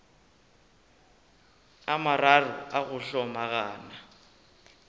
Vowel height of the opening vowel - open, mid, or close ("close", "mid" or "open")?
open